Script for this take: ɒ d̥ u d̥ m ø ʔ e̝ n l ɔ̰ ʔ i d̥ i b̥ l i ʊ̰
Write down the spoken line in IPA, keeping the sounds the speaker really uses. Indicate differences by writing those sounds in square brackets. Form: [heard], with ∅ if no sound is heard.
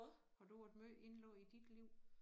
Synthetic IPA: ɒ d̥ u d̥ m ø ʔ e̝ n l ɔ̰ [∅] i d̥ i [d̥] l i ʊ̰